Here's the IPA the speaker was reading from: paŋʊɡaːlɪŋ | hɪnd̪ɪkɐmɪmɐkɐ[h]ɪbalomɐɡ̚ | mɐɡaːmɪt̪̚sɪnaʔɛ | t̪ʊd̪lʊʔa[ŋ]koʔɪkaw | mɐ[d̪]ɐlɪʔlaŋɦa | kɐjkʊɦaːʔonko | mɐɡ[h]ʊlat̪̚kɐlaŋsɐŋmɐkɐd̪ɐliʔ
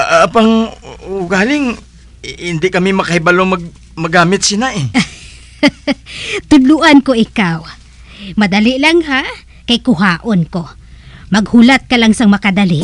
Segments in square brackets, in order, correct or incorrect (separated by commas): correct, incorrect, correct, correct